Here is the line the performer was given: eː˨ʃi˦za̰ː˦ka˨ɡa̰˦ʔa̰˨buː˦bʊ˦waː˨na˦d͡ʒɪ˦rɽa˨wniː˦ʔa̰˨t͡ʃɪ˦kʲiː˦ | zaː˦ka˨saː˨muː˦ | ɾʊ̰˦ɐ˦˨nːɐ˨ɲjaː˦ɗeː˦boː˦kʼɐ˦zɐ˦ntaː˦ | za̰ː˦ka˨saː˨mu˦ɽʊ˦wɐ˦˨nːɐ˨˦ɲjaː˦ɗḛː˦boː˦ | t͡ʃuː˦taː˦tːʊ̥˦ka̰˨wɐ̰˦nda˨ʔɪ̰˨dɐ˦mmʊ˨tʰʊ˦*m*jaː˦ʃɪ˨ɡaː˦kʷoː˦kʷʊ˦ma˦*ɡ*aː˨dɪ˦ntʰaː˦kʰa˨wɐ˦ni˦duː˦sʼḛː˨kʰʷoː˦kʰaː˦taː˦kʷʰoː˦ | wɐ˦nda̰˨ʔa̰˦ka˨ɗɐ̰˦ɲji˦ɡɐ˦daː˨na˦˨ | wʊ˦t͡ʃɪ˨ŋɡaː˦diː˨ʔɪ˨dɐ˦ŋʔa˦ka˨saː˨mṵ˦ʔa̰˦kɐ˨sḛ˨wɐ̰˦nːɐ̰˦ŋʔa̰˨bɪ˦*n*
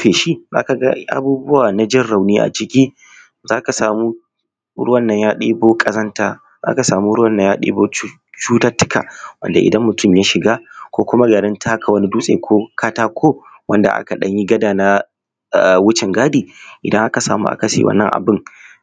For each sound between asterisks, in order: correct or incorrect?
correct, correct, incorrect: ŋ

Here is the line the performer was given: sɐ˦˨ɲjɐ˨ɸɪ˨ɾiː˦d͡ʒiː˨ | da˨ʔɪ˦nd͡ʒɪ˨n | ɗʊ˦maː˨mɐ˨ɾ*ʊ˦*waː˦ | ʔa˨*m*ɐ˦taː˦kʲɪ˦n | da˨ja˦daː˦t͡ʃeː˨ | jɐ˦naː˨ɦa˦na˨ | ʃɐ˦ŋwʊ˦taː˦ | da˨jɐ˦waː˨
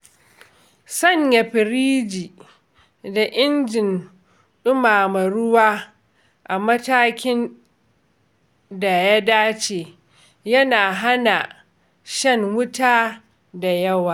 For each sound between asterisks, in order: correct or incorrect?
correct, correct

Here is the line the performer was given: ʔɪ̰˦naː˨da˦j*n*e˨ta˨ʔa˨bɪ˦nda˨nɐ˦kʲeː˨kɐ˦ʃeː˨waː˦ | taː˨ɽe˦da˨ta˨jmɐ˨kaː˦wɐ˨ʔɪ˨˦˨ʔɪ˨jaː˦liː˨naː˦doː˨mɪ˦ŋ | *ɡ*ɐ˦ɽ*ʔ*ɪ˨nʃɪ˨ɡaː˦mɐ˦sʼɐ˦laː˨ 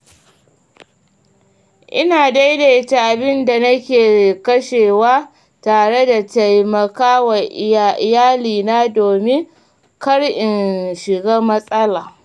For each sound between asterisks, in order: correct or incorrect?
incorrect: d, incorrect: k, correct

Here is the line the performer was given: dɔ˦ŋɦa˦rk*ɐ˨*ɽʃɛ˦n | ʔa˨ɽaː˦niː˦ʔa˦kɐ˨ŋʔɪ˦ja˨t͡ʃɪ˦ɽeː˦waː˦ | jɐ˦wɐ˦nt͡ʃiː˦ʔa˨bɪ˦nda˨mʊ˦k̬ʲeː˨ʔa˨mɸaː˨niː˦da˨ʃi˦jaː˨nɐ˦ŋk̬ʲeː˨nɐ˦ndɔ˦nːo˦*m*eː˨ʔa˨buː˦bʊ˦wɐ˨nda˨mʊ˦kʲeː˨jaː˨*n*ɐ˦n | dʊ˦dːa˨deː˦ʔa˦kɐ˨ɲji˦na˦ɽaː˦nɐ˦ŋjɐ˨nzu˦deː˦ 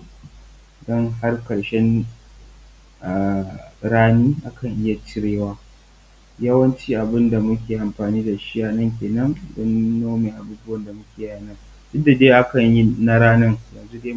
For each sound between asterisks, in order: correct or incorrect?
correct, correct, correct

